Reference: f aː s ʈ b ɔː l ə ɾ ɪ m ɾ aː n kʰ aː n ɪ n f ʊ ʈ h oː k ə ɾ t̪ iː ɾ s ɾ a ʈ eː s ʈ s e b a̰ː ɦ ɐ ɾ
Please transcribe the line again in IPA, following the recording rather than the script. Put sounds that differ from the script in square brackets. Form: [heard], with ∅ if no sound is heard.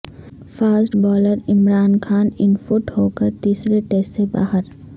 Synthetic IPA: f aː s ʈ b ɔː l ə ɾ ɪ m ɾ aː n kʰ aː n ɪ n f ʊ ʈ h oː k ə ɾ t̪ iː [∅] s ɾ [e] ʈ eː s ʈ s e b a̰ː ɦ [ə] ɾ